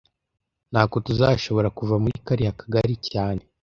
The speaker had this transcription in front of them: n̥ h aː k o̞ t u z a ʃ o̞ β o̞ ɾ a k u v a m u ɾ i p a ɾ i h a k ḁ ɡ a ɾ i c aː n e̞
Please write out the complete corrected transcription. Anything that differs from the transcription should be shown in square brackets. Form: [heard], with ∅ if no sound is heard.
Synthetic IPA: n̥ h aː k o̞ t u z a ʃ o̞ β o̞ ɾ a k u v a m u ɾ i [k] a ɾ i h a k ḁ ɡ a ɾ i c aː n e̞